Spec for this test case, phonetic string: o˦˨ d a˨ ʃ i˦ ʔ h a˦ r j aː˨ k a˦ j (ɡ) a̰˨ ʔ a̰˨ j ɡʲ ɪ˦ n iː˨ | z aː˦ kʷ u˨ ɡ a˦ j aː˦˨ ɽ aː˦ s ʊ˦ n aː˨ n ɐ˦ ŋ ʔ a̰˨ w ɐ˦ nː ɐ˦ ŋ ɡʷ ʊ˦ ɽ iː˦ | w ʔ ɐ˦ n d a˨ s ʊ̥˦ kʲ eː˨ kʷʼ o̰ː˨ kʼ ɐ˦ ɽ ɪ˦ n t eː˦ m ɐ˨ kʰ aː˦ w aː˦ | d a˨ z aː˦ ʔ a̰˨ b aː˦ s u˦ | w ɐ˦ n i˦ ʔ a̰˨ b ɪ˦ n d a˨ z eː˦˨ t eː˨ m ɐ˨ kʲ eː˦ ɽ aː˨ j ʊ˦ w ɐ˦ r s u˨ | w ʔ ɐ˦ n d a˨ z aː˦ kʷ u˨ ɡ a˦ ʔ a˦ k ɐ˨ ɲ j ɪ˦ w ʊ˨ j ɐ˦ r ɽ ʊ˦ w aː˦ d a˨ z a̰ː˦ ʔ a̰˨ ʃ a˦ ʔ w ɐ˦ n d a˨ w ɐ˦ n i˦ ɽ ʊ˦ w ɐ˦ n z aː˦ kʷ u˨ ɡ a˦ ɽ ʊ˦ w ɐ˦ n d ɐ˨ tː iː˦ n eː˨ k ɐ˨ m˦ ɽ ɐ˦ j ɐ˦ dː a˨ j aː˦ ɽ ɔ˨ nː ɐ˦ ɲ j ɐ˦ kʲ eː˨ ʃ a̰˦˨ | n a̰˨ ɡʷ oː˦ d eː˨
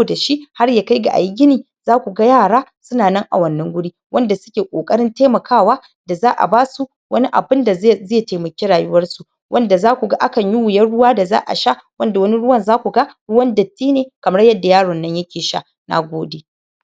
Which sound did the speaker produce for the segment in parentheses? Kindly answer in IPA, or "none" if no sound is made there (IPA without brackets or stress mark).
ɡ